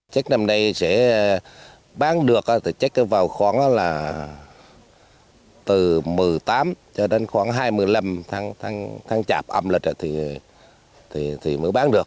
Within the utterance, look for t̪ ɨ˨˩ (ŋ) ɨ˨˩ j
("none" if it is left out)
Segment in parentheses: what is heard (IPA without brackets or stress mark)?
m